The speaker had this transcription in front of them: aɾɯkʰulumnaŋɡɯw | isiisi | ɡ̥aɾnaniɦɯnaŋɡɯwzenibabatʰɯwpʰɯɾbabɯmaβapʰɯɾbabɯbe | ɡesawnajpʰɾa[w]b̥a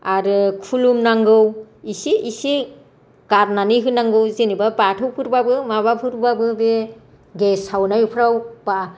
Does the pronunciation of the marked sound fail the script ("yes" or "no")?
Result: no